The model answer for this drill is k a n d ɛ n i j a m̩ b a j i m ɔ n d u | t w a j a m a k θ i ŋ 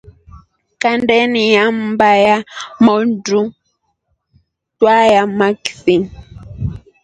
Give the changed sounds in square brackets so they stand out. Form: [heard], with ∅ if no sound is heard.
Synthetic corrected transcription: k a n d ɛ n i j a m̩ b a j [a] m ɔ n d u | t w a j a m a k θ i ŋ